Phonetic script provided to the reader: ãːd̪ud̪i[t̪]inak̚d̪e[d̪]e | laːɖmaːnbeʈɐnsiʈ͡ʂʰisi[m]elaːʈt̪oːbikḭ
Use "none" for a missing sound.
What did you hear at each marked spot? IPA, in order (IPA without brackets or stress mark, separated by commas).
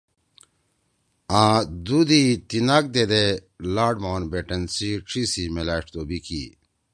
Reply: t̪, d̪, m